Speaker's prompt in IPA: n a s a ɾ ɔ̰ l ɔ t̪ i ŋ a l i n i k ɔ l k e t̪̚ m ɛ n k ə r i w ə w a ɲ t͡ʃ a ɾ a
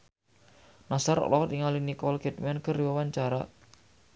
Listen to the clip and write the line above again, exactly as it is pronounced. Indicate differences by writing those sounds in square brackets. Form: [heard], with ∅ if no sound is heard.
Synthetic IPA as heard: n a s a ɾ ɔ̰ l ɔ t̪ i ŋ a l i n i k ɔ l k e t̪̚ m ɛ n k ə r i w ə w a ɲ t͡ʃ a ɾ a